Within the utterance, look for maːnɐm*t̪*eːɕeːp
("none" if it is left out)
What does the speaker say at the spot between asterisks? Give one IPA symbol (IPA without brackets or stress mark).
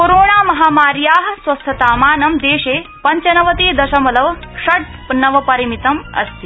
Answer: d̪